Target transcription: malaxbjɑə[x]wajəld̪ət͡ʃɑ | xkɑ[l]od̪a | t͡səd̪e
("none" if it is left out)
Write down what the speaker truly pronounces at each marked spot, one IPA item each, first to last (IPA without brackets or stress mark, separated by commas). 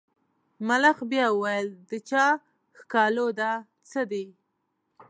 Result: none, l